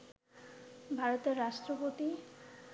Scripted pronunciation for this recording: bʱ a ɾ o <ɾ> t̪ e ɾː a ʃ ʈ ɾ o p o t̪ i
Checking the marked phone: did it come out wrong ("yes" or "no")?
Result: yes